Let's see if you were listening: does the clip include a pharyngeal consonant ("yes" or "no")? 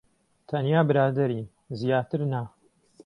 no